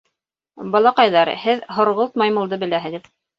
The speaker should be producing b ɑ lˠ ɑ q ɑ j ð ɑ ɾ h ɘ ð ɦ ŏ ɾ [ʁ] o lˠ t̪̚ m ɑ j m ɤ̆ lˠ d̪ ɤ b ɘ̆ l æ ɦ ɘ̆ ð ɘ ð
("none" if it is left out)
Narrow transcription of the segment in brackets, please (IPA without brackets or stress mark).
ʁ